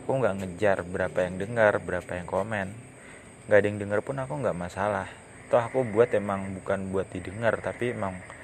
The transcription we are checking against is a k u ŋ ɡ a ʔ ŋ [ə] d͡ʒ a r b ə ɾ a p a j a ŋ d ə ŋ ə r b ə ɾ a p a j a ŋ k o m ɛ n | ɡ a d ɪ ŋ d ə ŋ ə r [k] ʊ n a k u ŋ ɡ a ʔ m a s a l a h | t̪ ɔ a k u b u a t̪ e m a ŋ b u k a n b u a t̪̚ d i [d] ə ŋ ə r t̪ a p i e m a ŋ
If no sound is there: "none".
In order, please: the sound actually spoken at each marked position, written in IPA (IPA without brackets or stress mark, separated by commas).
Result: ə, p, d